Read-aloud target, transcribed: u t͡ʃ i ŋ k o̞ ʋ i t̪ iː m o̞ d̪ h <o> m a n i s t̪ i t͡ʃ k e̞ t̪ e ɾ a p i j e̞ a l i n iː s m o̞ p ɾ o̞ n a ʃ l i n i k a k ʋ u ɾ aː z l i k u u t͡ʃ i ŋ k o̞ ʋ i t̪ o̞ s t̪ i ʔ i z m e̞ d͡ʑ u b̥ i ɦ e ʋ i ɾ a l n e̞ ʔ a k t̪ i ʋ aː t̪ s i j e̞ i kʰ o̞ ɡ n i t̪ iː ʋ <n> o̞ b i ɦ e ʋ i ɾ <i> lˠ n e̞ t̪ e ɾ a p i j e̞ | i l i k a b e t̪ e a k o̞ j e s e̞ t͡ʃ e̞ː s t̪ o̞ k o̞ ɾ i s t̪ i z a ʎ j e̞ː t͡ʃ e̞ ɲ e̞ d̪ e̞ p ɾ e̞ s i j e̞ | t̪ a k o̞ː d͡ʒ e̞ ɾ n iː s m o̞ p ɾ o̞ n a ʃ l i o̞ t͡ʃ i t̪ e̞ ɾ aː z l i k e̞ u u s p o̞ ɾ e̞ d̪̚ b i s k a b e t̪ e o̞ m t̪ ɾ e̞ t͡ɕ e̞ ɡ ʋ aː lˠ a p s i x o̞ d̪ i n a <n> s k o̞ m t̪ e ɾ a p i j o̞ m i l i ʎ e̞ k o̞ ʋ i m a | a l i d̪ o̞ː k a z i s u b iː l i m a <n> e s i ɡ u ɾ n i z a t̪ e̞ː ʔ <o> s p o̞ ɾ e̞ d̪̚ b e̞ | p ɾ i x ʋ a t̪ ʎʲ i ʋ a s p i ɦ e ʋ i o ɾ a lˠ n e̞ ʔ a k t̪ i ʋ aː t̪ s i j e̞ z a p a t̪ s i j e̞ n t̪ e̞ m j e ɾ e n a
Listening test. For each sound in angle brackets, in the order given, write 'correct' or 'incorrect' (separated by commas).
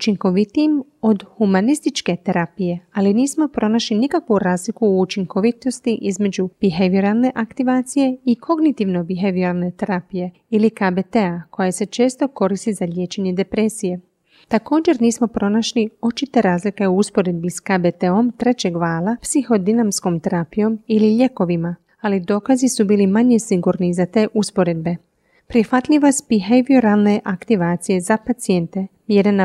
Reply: incorrect, correct, incorrect, incorrect, incorrect, incorrect